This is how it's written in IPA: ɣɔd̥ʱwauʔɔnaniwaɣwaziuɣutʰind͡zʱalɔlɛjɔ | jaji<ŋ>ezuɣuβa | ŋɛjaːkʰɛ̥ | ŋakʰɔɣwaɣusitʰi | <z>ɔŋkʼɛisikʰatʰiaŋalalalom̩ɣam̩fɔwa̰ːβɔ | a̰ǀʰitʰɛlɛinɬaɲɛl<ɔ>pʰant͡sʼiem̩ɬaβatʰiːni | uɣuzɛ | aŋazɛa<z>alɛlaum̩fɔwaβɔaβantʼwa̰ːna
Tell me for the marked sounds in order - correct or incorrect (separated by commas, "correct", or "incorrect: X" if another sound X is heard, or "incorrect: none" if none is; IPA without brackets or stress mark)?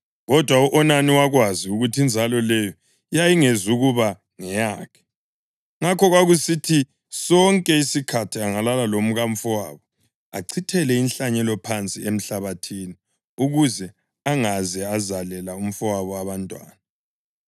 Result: correct, incorrect: s, correct, correct